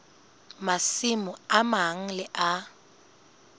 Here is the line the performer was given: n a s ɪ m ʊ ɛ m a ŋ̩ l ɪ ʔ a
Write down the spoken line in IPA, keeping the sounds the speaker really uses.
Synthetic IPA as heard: m a s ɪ m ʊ a m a ŋ̩ l ɪ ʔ a